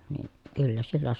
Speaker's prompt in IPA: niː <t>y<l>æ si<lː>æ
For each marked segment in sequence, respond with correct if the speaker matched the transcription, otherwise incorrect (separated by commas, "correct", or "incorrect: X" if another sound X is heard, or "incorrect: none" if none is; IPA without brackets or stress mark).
incorrect: k, incorrect: lː, correct